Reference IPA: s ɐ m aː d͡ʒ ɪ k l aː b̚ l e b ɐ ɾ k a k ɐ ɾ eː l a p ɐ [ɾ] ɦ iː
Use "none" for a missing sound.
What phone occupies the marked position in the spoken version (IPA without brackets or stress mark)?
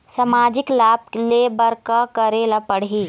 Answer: ɽ